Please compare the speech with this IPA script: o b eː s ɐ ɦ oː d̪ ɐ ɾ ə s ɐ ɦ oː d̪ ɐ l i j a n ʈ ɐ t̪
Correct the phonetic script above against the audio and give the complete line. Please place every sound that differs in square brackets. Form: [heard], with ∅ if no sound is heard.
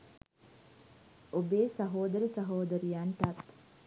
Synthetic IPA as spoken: o b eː s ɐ ɦ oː d̪ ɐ ɾ ə s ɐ ɦ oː d̪ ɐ [ɾ] i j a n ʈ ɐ t̪